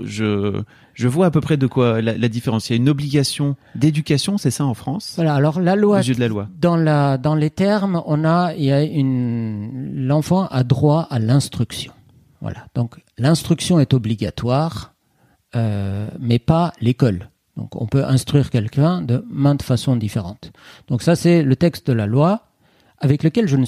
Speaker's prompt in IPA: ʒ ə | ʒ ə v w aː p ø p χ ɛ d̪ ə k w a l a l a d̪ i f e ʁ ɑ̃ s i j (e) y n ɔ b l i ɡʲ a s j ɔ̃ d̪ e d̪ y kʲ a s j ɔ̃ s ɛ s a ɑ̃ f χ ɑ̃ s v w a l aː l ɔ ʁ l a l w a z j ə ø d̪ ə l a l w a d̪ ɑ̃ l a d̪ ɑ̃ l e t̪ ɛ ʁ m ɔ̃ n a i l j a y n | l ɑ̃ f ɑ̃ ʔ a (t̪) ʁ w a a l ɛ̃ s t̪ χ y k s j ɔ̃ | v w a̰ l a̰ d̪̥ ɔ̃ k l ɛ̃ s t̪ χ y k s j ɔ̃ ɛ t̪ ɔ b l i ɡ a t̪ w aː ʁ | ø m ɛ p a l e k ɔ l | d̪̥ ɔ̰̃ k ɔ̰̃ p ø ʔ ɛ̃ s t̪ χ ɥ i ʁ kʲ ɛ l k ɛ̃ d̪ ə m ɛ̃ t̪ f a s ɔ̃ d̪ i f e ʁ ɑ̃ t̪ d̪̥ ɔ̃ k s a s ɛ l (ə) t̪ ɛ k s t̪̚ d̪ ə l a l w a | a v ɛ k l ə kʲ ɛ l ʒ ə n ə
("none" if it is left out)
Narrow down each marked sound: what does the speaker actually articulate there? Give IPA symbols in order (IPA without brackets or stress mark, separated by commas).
a, d̪, ə